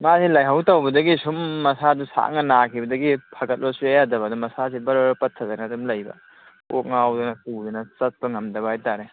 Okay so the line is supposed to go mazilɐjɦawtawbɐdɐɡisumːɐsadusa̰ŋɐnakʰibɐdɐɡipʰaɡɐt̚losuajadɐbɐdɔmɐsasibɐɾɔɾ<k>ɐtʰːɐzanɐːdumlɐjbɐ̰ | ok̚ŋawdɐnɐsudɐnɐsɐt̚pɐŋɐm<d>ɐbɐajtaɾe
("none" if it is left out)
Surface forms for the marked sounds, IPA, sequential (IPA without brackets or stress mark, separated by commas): p, d